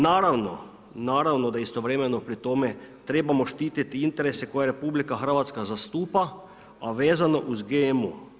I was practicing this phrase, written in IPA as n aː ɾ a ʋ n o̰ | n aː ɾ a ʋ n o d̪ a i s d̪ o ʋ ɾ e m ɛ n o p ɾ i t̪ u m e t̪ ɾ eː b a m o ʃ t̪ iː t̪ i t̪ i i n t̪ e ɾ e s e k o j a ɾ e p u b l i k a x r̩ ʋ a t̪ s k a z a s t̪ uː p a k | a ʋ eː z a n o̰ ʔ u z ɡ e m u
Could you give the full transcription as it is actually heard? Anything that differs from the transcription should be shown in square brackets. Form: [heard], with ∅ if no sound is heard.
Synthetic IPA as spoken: n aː ɾ a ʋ n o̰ | n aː ɾ a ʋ n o d̪ a i s [t̪] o ʋ ɾ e m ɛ n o p ɾ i t̪ [o] m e t̪ ɾ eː b a m o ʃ t̪ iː t̪ i t̪ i i n t̪ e ɾ e s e k o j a ɾ e p u b l i k a x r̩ ʋ a t̪ s k a z a s t̪ uː p a [∅] | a ʋ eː z a n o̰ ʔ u z ɡ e m u